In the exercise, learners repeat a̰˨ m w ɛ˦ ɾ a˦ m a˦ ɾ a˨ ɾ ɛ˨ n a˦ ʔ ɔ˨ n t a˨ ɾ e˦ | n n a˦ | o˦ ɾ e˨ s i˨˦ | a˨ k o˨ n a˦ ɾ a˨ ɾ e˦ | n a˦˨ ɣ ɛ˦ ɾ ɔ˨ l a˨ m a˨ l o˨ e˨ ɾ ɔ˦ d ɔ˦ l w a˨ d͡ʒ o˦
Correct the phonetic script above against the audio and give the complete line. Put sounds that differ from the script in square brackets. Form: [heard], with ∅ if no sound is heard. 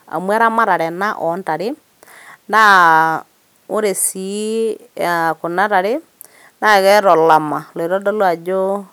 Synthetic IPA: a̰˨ m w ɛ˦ ɾ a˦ m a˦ ɾ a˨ ɾ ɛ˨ n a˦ ʔ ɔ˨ n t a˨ ɾ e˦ | n [d] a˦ | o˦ ɾ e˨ s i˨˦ | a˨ k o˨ n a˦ ɾ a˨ ɾ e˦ | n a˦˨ ɣ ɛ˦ ɾ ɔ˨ l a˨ m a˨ l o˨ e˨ ɾ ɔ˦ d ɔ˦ l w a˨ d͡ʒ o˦